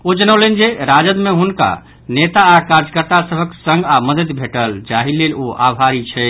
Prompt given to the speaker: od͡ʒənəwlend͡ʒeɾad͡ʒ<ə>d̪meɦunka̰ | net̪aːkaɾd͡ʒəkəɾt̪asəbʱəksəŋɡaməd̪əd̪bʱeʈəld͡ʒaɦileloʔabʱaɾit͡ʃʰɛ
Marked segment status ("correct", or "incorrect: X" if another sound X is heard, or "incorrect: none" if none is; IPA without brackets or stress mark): correct